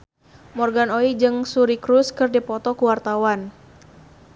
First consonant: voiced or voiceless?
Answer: voiced